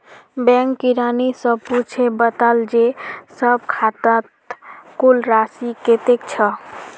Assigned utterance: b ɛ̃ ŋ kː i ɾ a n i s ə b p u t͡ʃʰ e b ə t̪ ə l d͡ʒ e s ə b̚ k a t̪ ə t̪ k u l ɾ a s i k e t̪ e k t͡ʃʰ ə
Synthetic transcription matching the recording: b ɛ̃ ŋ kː i ɾ a n i s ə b p u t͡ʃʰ e b ə t̪ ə l d͡ʒ e s ə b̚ kʰ a t̪ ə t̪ k u l ɾ a s i k e t̪ e k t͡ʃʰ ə